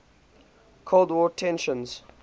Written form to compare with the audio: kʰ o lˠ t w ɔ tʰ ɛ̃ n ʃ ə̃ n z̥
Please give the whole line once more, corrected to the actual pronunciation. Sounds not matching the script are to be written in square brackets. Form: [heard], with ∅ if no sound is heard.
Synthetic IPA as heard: kʰ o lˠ [d] w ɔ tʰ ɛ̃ n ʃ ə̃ n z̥